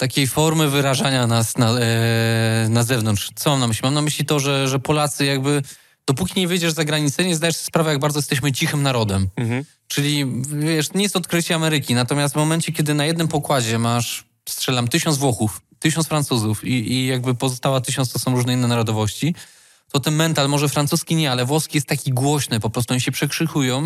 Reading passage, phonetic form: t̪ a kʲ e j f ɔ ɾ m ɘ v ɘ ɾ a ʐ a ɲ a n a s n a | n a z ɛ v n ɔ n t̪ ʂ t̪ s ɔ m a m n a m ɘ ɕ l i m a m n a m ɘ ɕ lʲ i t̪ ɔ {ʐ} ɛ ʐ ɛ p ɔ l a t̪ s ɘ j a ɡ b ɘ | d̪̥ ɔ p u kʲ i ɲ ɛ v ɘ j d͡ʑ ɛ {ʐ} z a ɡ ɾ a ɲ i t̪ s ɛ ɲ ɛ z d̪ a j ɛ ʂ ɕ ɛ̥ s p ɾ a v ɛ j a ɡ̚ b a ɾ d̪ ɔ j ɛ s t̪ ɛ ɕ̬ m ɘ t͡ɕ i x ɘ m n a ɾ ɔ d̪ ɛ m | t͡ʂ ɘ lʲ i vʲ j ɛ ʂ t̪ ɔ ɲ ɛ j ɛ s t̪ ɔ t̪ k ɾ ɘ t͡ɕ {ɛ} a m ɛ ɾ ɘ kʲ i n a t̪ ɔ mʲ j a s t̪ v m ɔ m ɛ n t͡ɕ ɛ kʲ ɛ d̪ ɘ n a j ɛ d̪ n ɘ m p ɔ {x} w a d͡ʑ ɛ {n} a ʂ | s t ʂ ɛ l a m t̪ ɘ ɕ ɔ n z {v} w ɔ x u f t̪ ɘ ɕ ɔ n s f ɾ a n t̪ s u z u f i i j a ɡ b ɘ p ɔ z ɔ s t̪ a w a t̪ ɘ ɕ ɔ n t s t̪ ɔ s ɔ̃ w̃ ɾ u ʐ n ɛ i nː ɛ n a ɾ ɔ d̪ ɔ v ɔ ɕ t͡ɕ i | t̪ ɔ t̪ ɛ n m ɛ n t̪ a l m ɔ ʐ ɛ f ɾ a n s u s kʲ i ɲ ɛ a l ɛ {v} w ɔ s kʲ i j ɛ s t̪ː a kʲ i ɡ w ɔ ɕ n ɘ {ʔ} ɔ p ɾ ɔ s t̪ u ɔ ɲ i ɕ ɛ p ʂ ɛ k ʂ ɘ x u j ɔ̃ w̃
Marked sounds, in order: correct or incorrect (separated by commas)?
correct, correct, correct, incorrect, incorrect, correct, correct, incorrect